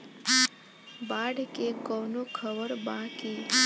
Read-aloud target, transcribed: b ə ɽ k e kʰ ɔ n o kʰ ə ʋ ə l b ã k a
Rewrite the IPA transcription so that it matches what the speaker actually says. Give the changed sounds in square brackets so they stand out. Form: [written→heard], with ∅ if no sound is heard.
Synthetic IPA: b [ə→a] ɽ k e [kʰ→k] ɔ n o kʰ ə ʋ ə [l→ɾ] b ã k [a→i]